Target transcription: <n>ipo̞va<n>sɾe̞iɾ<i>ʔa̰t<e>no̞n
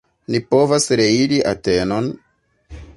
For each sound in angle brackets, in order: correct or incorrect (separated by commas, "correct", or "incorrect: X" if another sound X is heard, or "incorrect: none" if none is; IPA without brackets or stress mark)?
correct, incorrect: none, correct, correct